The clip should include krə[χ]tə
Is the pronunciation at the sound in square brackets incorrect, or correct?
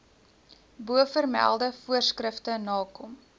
incorrect